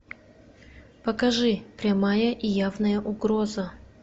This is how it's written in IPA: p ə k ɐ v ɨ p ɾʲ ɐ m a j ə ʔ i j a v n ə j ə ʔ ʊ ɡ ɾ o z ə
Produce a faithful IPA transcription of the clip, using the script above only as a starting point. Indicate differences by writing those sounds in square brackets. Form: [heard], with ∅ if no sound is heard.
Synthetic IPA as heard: p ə k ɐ [ʐ] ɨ p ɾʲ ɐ m a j ə ʔ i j a v n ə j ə ʔ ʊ ɡ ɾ o z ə

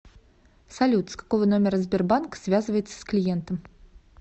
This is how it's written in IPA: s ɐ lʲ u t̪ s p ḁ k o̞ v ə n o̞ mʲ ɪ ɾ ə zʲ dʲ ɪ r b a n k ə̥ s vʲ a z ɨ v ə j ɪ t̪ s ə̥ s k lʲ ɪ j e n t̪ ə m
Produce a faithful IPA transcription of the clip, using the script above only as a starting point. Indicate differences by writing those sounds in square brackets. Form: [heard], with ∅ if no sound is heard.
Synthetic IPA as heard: s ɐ lʲ u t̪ s [k] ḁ k o̞ v ə n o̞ mʲ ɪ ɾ ə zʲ [bʲ] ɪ r b a n k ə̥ s vʲ a z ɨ v ə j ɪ t̪ s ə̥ s k lʲ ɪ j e n t̪ ə m

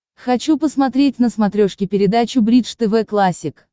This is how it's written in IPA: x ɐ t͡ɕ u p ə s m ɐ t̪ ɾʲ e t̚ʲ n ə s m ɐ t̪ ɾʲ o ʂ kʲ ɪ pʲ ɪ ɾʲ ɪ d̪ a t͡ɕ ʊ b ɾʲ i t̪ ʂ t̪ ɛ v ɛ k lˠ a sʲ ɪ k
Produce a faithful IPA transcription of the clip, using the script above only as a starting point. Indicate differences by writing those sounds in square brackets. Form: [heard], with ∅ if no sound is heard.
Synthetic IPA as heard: x ɐ t͡ɕ u p ə s m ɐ t̪ ɾʲ e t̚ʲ n ə s m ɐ t̪ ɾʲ o ʂ kʲ ɪ pʲ ɪ ɾʲ ɪ d̪ a t͡ɕ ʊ b ɾʲ i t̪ ʂ t̪ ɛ v ɛ k lˠ a sʲ ɪ k

